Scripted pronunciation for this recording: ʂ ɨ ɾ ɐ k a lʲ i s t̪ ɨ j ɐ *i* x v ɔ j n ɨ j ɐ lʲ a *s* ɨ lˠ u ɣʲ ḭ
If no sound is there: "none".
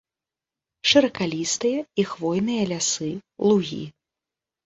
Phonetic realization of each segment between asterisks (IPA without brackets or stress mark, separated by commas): i, s